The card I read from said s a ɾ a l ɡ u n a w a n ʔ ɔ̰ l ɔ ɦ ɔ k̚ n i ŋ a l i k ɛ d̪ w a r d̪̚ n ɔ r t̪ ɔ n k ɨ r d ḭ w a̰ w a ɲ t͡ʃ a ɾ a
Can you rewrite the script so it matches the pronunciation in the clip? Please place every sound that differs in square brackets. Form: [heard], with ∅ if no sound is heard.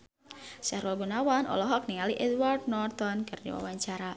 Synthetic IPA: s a ɾ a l ɡ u n a w a n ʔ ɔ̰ l ɔ ɦ ɔ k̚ n i ŋ a l i [ʔ] ɛ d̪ w a r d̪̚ n ɔ r t̪ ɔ n k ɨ r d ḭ w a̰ w a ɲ t͡ʃ a ɾ a

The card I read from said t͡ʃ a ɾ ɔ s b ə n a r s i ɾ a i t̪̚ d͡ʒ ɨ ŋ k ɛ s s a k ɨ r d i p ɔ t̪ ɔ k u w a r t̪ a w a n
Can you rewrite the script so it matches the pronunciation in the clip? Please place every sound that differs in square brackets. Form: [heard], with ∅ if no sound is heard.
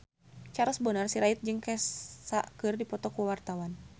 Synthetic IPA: t͡ʃ a ɾ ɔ s b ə n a r s i ɾ a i t̪̚ d͡ʒ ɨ ŋ k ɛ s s a k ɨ r d i p ɔ t̪ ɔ k u w a r t̪ a w a n

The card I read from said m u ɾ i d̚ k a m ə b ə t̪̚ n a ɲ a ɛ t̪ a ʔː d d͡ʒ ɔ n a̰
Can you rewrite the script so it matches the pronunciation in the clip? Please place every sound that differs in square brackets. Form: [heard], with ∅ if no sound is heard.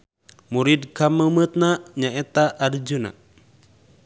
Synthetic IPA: m u ɾ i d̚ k a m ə [m] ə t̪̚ n a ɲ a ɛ t̪ a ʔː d d͡ʒ [u] n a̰

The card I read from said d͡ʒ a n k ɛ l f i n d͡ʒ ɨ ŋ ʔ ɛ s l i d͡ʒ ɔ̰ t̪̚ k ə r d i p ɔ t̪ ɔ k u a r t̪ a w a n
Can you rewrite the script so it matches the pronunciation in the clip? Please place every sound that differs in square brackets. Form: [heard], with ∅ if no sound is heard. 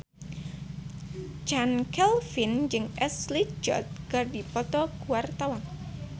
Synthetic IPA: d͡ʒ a n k ɛ l f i n d͡ʒ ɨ ŋ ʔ ɛ s l i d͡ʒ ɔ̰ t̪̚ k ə r d i p ɔ t̪ ɔ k u a r t̪ a w a n

